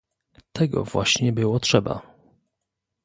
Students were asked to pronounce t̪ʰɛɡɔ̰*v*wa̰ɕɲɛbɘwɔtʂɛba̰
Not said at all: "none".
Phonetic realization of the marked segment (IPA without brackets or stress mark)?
v